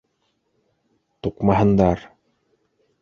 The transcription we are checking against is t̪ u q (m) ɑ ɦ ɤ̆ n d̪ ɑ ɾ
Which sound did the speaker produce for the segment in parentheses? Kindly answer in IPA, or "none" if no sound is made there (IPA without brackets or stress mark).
m